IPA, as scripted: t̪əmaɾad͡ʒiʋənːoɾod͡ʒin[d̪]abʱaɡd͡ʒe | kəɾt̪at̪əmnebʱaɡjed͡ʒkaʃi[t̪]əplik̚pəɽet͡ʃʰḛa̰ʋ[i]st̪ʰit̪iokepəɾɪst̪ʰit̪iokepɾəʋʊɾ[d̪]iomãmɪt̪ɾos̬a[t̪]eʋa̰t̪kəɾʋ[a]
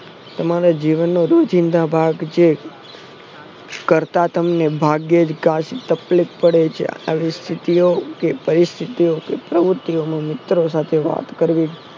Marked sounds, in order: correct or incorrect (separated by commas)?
correct, correct, correct, incorrect, incorrect, incorrect